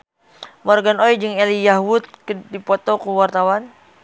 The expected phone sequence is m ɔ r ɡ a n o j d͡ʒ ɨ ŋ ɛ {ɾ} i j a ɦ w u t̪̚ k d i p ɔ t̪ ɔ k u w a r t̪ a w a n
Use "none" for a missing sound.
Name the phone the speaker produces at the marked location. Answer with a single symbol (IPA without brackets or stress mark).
l